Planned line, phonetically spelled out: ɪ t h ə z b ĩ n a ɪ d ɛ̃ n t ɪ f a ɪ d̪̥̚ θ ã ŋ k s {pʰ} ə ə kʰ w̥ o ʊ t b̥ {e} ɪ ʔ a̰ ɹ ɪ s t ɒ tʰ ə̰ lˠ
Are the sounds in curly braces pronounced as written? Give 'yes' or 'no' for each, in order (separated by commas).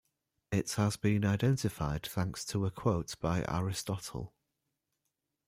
no, no